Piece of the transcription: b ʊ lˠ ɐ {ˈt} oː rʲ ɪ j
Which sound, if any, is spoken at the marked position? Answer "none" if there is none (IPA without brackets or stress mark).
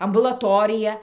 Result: t